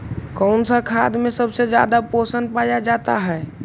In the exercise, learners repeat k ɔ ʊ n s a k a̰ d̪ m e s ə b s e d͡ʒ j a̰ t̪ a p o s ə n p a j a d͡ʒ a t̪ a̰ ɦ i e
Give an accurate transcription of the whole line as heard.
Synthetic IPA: k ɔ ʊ n s a kʰ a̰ d̪ m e s ə b s e d͡ʒ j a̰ d̪ a p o s ə n p a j a d͡ʒ a t̪ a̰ ɦ ɛ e